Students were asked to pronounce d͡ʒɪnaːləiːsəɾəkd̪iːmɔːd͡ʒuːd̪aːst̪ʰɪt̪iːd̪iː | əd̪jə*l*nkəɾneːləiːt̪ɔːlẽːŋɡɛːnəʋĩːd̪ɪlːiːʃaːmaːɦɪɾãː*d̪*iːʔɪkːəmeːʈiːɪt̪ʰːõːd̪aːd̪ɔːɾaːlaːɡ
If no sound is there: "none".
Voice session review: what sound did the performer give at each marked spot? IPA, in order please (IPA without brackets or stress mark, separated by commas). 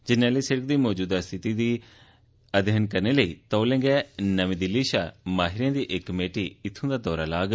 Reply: none, d̪